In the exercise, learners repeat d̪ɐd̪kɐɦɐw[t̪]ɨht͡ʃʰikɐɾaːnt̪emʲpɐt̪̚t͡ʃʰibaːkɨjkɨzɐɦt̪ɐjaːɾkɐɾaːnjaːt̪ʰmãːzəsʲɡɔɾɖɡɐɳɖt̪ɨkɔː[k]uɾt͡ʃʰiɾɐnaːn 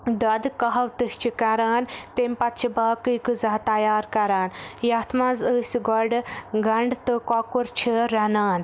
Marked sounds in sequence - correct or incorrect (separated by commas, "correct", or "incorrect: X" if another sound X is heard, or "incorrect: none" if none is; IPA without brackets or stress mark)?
correct, correct